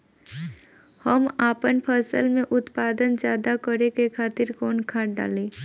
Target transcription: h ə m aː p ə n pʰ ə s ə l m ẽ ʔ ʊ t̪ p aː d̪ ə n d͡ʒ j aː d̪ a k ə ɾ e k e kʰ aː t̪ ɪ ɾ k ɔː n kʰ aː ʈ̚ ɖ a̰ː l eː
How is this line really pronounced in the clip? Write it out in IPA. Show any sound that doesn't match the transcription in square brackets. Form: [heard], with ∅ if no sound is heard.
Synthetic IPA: h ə m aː p ə n pʰ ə s ə l m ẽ ʔ ʊ t̪ p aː d̪ ə n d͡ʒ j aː d̪ a k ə ɾ e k e kʰ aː t̪ ɪ ɾ k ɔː n kʰ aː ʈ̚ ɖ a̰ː l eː